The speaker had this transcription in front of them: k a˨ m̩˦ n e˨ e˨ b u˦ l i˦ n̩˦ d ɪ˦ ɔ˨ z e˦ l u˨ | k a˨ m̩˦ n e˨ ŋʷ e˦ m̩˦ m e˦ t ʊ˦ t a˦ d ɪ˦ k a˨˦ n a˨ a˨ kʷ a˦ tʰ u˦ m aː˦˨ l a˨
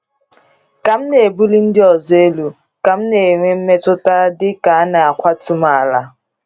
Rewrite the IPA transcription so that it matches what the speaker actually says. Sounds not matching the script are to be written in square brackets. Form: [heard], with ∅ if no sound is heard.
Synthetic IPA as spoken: k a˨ m̩˦ n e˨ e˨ b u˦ l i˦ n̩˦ d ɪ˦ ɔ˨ z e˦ l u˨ | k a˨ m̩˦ n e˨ ŋʷ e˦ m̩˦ m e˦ t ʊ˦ t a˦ d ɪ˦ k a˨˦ n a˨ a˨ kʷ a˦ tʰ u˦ m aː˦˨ l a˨

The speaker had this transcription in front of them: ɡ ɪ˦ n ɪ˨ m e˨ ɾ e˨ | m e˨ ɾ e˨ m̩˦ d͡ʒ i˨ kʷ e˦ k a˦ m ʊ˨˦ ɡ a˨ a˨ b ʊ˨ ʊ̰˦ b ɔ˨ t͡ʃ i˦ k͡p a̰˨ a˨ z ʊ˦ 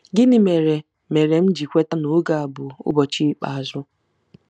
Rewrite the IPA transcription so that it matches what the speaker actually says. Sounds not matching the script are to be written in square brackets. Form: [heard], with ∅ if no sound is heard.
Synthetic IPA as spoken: ɡ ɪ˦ n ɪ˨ m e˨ ɾ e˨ | m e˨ ɾ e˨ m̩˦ d͡ʒ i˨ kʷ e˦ [t] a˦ [n] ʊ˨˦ ɡ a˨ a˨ b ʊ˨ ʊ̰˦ b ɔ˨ t͡ʃ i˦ k͡p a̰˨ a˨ z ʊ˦

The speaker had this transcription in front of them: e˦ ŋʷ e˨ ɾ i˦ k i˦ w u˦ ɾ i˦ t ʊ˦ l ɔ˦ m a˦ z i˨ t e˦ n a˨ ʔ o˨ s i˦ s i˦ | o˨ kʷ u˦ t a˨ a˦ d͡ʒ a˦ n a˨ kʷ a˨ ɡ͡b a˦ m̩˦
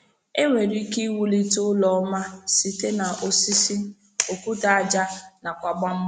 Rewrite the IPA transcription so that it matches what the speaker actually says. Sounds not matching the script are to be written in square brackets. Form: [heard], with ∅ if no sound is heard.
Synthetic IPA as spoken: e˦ ŋʷ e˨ ɾ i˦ k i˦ w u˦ [l] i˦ t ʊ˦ l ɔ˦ m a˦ [s] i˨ t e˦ n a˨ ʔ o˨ s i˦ s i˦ | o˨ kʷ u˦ t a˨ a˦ d͡ʒ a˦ n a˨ kʷ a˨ ɡ͡b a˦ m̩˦

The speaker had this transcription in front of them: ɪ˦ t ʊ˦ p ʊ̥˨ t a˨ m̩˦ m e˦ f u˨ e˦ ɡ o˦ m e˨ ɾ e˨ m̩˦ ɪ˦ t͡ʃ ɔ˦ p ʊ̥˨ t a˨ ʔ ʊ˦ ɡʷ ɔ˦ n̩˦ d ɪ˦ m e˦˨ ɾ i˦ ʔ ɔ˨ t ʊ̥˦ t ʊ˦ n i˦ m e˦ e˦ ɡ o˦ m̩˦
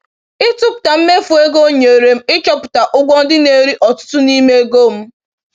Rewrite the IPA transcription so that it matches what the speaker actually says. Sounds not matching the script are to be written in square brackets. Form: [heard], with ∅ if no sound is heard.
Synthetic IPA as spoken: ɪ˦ t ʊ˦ p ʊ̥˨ t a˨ m̩˦ m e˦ f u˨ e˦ ɡ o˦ [ɲ] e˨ ɾ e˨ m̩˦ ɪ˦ t͡ʃ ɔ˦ p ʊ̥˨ t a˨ ʔ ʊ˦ ɡʷ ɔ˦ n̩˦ d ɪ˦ [n] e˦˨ ɾ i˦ ʔ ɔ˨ t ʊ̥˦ t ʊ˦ n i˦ m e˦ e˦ ɡ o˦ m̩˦

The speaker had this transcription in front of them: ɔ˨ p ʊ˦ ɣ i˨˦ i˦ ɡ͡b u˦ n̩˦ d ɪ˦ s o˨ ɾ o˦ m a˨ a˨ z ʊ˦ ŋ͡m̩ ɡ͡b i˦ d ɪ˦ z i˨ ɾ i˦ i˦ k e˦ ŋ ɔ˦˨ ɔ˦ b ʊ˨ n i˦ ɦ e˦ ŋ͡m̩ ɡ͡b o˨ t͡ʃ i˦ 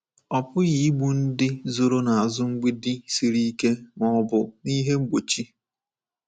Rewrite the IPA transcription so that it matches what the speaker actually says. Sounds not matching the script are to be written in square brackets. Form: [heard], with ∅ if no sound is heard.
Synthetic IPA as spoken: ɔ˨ p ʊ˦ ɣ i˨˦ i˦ ɡ͡b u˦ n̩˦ d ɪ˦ [z] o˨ ɾ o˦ [n] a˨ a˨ z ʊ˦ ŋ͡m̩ ɡ͡b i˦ d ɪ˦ [s] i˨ ɾ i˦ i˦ k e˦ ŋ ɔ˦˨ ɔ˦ b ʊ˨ n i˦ ɦ e˦ ŋ͡m̩ ɡ͡b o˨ t͡ʃ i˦

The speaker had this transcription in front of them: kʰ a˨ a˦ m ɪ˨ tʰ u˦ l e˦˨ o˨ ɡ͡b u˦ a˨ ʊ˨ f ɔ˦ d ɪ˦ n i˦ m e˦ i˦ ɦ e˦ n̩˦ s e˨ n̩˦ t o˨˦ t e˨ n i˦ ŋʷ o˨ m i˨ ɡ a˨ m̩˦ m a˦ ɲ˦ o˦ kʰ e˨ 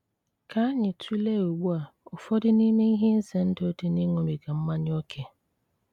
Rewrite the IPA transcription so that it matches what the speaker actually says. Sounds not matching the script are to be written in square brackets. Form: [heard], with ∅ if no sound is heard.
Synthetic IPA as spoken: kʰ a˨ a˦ [ɲ] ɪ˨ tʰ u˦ l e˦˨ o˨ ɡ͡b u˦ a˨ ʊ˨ f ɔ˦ d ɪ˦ n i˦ m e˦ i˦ ɦ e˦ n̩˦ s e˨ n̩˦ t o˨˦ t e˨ n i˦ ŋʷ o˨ m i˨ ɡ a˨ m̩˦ m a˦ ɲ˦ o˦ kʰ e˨

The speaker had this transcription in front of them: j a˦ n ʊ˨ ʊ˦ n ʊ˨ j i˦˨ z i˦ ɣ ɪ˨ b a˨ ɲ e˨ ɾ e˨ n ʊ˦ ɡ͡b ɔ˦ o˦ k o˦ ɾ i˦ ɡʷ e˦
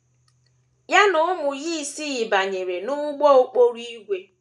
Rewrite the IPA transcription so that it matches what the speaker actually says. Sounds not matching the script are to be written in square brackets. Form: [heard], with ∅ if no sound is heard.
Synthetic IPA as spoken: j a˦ n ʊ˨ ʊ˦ [m] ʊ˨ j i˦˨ [s] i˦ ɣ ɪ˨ b a˨ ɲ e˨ ɾ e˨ n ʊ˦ ɡ͡b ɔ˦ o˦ [k͡p] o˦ ɾ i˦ ɡʷ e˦

